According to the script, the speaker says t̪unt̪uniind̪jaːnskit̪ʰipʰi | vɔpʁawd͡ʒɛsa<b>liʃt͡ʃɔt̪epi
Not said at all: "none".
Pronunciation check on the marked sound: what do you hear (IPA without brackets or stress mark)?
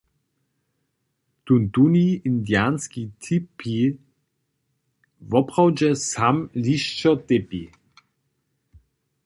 m